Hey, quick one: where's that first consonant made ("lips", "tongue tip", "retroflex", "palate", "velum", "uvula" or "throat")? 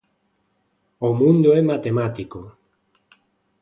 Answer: lips